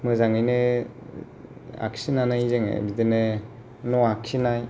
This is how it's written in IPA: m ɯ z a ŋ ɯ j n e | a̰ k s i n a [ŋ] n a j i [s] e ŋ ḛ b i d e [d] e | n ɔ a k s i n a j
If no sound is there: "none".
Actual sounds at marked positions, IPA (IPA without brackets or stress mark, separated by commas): none, z, n